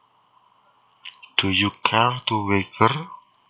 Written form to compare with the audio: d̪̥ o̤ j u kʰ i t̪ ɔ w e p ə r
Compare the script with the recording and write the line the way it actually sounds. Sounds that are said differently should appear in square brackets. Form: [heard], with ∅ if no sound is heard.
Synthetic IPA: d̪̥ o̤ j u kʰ [a] t̪ [u] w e [k] ə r